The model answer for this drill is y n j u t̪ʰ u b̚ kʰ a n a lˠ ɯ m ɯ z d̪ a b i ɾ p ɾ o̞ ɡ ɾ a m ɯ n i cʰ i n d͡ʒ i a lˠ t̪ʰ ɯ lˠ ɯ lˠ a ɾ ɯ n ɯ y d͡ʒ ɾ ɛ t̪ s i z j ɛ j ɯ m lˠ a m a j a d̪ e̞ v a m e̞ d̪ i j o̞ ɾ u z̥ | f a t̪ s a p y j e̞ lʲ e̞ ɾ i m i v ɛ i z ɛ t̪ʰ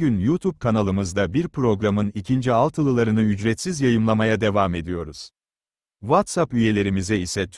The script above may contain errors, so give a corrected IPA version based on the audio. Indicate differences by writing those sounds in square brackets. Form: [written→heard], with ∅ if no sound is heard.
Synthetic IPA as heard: y n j u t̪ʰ u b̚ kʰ a n a lˠ ɯ m ɯ z d̪ a b i ɾ p ɾ o̞ ɡ ɾ a m ɯ n i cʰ i n d͡ʒ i a lˠ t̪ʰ ɯ lˠ ɯ lˠ a ɾ ɯ n ɯ y d͡ʒ ɾ ɛ t̪ s i z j [ɛ→a] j ɯ m lˠ a m a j a d̪ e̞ v a m e̞ d̪ i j o̞ ɾ u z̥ | [f→v] a t̪ s a p y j e̞ lʲ e̞ ɾ i m i [v→z] ɛ i [z→s] ɛ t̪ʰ